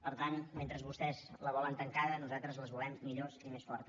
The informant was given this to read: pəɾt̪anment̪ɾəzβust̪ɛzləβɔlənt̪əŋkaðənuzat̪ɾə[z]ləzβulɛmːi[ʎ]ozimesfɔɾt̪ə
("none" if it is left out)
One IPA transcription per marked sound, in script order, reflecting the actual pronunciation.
z, ʎ

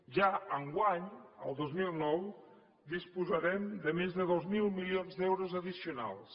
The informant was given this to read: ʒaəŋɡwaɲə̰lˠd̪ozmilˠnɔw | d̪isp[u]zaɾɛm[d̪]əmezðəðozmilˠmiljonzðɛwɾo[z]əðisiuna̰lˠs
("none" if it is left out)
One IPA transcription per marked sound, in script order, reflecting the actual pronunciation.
u, d̪, z

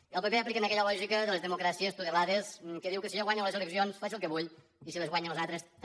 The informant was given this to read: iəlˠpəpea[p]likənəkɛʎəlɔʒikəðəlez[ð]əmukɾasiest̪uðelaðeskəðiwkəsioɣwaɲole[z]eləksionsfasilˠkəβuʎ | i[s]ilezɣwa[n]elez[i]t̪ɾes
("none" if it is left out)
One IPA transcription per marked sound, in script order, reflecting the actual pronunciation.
p, ð, z, s, ɲ, a

